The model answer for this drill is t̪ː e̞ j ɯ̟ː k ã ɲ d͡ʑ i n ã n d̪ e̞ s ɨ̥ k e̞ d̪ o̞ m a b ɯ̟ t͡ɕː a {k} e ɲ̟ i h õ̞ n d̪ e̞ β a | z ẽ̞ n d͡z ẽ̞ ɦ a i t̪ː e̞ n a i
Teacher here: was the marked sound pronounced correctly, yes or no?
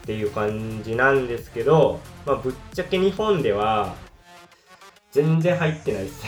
yes